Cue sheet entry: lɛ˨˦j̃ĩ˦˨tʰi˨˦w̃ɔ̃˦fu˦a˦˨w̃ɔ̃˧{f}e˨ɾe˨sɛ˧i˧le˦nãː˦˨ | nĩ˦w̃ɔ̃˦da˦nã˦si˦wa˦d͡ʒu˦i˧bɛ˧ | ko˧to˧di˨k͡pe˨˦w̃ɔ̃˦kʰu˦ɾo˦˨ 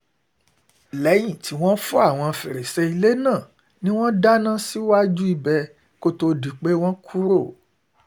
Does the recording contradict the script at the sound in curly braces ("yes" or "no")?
no